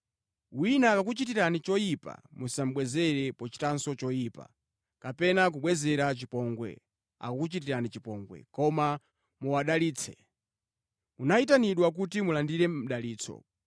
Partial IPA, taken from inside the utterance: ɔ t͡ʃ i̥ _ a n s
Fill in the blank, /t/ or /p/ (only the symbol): t